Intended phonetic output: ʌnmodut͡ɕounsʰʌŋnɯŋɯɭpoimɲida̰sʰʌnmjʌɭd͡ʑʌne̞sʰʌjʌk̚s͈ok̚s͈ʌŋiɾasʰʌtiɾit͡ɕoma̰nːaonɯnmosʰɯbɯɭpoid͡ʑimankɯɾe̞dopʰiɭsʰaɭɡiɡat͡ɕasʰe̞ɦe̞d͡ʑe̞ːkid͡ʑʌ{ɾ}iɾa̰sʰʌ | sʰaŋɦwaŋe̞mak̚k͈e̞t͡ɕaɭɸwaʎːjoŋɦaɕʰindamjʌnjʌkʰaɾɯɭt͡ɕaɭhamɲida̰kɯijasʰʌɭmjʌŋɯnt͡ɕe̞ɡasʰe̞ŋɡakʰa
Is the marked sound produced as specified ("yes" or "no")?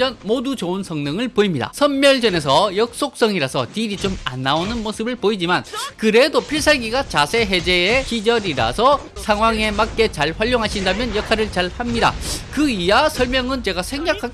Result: yes